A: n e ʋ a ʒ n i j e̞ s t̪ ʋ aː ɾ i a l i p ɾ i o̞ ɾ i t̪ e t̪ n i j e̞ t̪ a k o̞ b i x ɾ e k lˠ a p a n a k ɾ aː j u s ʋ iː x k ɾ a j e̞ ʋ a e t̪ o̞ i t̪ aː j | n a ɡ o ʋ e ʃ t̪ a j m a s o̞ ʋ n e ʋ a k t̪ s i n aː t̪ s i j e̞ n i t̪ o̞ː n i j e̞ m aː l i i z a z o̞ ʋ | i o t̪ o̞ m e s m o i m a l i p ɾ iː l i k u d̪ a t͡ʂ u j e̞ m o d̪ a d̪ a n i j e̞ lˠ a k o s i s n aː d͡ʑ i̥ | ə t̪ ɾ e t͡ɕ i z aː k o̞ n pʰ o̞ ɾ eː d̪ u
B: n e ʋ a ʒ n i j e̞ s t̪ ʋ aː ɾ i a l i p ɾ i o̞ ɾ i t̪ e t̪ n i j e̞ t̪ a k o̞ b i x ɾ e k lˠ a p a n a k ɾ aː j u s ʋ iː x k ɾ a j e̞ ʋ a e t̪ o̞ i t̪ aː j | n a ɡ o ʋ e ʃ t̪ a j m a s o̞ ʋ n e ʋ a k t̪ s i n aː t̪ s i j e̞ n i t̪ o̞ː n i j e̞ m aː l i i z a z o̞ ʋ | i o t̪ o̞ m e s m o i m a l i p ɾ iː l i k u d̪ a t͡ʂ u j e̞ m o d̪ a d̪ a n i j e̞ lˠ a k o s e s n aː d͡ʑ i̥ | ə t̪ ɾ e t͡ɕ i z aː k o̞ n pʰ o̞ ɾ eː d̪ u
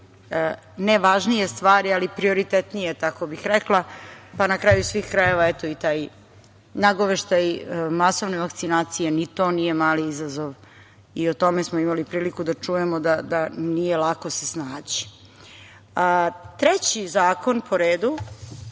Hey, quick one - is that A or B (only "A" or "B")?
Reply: B